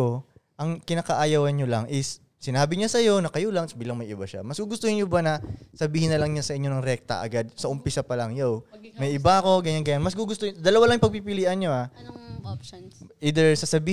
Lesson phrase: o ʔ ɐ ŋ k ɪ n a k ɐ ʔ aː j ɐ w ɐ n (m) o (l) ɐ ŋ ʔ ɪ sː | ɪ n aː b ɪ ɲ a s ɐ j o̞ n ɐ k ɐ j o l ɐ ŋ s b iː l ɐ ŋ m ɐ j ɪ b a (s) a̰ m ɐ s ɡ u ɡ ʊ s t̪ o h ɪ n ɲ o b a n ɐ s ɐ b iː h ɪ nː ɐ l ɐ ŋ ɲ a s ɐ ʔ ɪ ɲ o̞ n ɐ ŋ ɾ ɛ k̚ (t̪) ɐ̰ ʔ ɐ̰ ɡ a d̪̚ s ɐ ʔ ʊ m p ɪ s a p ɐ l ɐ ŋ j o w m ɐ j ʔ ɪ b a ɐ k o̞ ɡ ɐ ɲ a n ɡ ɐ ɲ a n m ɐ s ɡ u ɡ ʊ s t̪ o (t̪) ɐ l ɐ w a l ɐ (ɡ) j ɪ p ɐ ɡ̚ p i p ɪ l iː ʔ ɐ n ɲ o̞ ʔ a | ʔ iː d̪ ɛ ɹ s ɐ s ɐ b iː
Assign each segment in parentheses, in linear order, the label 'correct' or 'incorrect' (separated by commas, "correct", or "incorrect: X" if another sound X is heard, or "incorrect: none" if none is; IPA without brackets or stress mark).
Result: incorrect: ɲ, correct, incorrect: ʃ, correct, incorrect: d̪, incorrect: ŋ